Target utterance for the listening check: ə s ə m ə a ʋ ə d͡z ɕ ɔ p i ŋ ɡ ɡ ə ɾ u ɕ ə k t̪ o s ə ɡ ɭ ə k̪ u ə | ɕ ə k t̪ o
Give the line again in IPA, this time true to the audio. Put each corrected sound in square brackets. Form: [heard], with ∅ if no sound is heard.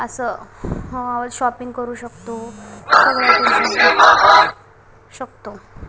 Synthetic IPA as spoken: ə s ə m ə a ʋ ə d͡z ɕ ɔ p i ŋ ɡ [k] ə ɾ [uː] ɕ ə k t̪ o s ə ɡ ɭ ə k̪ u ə | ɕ ə k t̪ o

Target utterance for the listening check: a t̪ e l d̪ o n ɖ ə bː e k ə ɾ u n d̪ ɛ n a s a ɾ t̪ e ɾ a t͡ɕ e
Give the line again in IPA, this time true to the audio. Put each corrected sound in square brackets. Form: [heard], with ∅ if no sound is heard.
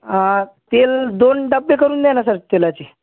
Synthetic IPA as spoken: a t̪ e l d̪ o n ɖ ə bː e k ə ɾ [uː] n d̪ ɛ n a s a ɾ t̪ e [l] a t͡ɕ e

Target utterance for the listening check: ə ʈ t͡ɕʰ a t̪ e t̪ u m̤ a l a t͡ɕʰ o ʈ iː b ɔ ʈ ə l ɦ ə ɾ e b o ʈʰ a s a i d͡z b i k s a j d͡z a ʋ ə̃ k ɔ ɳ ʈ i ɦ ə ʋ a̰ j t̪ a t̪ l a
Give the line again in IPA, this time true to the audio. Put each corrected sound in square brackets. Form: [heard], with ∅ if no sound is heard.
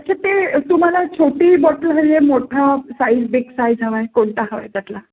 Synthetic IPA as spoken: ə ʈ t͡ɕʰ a t̪ e t̪ u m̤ a l a t͡ɕʰ o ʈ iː b ɔ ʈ ə l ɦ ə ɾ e [m] o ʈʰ a s a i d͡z b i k s a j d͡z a ʋ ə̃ k [o] ɳ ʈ [a] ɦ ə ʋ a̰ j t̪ a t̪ l a

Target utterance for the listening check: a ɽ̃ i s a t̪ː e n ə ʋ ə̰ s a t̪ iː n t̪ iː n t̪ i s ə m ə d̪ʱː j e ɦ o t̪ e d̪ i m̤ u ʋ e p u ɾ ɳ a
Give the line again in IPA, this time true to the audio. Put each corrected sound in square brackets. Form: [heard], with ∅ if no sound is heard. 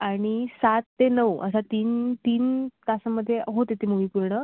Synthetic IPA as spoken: a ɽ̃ i s a t̪ː e n ə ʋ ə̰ s a t̪ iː n t̪ iː n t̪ [a] s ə m ə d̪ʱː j e ɦ o t̪ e [t̪] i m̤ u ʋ [i] p u ɾ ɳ [ə]

